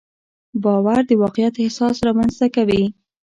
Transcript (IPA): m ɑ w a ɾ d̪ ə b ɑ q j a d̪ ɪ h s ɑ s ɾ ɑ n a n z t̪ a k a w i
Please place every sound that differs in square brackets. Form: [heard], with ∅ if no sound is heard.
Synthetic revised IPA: [b] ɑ w a ɾ d̪ ə [w] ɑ q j a [t̪] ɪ h s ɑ s ɾ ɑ [m] a n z t̪ a k a w i